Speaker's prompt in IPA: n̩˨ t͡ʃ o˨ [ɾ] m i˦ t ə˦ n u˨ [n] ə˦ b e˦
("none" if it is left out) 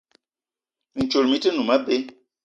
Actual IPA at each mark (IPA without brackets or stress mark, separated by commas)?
l, m